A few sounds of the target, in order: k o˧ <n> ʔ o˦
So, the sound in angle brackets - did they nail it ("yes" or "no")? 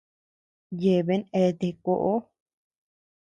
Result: no